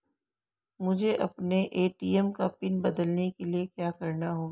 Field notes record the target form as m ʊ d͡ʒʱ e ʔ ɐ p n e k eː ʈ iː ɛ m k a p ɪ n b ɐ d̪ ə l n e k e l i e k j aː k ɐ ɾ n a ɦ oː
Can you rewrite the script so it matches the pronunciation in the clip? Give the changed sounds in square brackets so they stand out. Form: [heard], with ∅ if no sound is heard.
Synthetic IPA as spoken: m ʊ d͡ʒʱ e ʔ ɐ p n e [ʔ] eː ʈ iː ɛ m k a p ɪ n b ɐ d̪ ə l n e k e l i e k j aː k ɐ ɾ n a ɦ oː